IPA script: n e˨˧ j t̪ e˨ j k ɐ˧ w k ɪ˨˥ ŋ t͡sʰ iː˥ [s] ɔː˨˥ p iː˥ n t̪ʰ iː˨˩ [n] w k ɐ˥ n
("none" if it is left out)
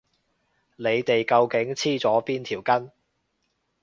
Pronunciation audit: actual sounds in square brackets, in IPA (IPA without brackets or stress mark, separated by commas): t͡s, none